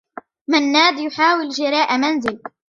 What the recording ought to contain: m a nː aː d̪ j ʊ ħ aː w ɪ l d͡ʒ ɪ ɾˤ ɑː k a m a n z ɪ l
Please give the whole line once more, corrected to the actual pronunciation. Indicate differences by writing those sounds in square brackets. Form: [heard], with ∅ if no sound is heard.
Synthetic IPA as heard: m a nː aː d̪ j ʊ ħ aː w ɪ l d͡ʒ ɪ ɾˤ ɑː [ʔ] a m a n z ɪ l